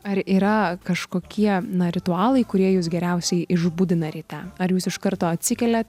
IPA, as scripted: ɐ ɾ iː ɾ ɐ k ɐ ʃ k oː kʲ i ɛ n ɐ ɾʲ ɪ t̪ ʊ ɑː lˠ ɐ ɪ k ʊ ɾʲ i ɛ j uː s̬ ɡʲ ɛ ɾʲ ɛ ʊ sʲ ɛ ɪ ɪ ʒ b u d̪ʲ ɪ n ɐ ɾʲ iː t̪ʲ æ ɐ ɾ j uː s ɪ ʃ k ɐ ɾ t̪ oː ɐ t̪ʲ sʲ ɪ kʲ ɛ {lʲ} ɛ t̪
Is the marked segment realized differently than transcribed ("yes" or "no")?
no